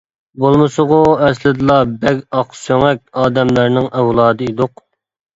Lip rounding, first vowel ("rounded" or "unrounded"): rounded